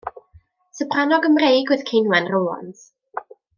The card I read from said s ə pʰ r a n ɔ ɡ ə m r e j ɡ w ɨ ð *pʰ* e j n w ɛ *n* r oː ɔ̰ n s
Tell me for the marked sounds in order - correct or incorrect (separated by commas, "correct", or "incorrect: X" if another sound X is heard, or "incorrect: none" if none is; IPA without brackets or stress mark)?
incorrect: kʰ, correct